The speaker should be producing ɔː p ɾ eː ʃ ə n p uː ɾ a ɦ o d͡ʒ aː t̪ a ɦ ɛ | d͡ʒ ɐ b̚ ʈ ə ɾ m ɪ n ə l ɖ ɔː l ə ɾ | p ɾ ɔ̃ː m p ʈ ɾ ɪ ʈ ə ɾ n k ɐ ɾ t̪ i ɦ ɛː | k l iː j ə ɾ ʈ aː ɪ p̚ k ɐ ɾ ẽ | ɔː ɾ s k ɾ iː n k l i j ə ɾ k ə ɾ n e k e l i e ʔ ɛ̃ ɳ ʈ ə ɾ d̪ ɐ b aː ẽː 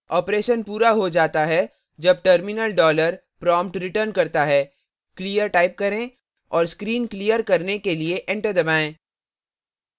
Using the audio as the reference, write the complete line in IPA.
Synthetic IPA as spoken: ɔː p ɾ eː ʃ ə n p uː ɾ a ɦ o d͡ʒ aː t̪ a ɦ ɛ | d͡ʒ ɐ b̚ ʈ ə ɾ m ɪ n ə l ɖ ɔː l ə ɾ | p ɾ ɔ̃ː m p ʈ ɾ ɪ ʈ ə ɾ n k ɐ ɾ t̪ a ɦ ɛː | k l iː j ə ɾ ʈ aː ɪ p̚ k ɐ ɾ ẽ | ɔː ɾ s k ɾ iː n k l i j ə ɾ k ɐ ɾ n e k e l i e ʔ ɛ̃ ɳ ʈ ə ɾ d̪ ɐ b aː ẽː